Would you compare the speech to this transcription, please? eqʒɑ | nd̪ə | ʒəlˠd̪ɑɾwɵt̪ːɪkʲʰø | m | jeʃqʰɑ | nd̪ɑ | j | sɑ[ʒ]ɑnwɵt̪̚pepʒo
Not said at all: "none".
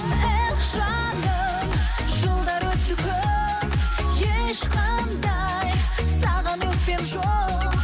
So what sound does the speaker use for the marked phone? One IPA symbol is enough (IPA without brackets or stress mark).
ʁ